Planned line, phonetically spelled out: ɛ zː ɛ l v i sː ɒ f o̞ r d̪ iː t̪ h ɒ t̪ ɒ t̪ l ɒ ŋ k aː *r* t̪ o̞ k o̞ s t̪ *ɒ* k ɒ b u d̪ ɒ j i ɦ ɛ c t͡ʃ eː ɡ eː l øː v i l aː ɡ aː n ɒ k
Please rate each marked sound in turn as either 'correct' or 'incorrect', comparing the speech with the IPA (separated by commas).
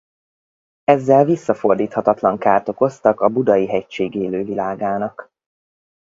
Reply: correct, correct